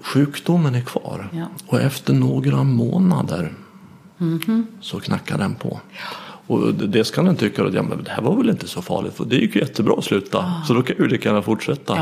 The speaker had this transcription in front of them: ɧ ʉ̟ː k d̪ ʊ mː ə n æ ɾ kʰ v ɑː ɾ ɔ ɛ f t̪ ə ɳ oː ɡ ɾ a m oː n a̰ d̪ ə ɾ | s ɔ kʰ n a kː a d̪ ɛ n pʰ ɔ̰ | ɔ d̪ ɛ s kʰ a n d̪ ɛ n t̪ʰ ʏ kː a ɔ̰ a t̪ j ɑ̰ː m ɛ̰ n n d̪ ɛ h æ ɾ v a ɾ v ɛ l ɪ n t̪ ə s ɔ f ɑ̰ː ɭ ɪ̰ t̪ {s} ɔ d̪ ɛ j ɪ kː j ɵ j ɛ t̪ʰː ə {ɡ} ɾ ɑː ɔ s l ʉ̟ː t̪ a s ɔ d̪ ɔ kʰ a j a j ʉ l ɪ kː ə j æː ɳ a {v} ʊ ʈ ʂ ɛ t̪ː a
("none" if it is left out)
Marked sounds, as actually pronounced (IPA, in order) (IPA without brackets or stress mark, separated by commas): f, b, f